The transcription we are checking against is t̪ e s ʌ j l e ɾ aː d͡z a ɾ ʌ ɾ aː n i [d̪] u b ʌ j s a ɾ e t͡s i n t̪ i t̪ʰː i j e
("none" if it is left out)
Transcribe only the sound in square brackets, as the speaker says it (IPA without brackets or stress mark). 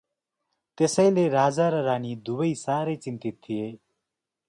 d̪